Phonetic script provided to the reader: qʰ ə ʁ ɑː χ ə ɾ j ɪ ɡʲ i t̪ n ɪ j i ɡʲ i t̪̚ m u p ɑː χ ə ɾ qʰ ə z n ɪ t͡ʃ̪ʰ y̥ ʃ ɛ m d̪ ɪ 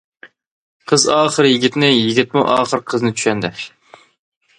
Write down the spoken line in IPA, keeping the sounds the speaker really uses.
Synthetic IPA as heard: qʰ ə z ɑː χ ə ɾ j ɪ ɡʲ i t̪ n ɪ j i ɡʲ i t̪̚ m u ʔ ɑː χ ə ɾ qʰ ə z n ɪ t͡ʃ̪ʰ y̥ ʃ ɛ n d̪ ɪ